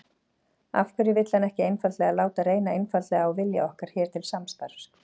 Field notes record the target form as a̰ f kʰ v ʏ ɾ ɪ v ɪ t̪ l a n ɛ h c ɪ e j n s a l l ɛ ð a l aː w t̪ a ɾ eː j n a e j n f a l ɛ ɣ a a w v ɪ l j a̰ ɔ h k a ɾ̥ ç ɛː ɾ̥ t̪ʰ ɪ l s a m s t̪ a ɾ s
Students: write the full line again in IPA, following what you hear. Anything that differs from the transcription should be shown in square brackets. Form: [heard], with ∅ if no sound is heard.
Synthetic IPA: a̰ f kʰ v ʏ ɾ ɪ v ɪ t̪ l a n ɛ h c ɪ e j n [f] a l l ɛ [ɣ] a l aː w t̪ a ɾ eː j n a e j n f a l ɛ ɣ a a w v ɪ l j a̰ ɔ h k a ɾ̥ ç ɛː ɾ̥ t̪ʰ ɪ l s a m s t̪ a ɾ s